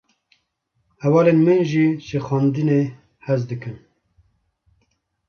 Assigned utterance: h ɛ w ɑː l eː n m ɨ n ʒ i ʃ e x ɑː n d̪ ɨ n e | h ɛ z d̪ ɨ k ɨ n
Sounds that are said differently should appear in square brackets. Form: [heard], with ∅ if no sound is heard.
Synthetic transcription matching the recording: h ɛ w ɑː l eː n m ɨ n ʒ i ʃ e x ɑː n d̪ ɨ n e | h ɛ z d̪ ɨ k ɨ n